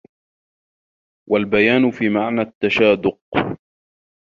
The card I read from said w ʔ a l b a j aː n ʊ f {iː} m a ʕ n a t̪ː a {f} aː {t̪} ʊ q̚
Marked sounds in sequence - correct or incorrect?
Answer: correct, incorrect: ʃ, incorrect: d̪

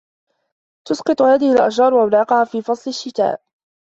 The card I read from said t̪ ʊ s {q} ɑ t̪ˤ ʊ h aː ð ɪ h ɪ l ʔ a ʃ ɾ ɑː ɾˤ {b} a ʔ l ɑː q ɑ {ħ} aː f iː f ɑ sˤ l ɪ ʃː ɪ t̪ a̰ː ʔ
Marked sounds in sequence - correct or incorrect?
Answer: correct, incorrect: w, incorrect: h

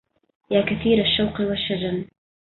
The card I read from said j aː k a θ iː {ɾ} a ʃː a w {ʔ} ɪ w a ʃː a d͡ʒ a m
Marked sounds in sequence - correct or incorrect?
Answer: correct, incorrect: q

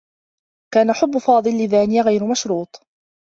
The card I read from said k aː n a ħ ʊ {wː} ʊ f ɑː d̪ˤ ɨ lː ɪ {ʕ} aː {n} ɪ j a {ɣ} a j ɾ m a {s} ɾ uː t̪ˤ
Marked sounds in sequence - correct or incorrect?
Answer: incorrect: bː, incorrect: ð, correct, correct, incorrect: ʃ

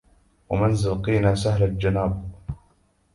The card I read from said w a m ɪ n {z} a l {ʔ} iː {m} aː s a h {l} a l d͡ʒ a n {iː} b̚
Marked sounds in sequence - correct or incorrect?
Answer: correct, incorrect: q, incorrect: n, correct, incorrect: aː

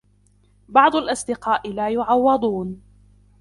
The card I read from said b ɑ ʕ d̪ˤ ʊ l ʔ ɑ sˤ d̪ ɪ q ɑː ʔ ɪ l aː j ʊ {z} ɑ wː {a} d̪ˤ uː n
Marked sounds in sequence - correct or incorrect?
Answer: incorrect: ʕ, incorrect: ɑ

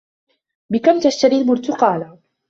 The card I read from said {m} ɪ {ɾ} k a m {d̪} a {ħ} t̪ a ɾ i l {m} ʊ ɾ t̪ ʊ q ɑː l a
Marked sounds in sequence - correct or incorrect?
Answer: incorrect: b, incorrect: none, incorrect: t̪, incorrect: ʃ, correct

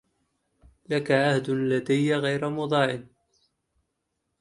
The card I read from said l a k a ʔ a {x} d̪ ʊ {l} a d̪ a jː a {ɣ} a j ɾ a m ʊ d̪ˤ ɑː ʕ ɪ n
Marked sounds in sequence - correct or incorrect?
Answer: incorrect: h, correct, correct

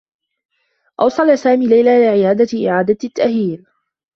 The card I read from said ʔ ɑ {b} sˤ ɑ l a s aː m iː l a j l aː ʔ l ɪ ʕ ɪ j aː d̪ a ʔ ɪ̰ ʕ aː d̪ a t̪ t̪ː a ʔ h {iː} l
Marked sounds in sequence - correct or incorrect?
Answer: incorrect: w, correct

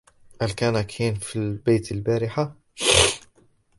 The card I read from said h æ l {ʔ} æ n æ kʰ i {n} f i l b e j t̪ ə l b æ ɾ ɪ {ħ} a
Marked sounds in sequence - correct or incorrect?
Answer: incorrect: k, correct, correct

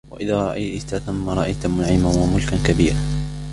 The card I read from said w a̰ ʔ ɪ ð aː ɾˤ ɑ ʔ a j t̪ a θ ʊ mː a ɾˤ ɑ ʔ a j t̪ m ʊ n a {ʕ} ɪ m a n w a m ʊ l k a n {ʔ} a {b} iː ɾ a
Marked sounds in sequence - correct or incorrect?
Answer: correct, incorrect: k, correct

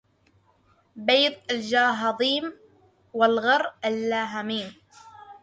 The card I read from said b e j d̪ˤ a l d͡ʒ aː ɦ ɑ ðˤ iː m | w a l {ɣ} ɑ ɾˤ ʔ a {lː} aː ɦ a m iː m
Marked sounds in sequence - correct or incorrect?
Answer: correct, correct

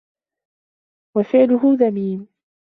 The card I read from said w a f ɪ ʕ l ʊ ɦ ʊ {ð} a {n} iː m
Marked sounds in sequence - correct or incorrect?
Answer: correct, incorrect: m

